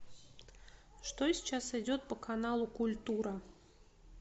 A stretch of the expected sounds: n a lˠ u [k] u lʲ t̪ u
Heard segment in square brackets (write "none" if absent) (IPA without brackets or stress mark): k